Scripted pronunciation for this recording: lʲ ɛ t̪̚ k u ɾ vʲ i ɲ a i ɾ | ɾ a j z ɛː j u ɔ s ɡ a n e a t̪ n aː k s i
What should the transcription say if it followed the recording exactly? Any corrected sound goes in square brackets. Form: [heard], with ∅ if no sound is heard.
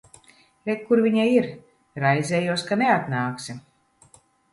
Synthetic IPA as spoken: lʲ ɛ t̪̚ k u ɾ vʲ i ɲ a i ɾ | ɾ a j z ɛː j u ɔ s [k] a n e a t̪ n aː k s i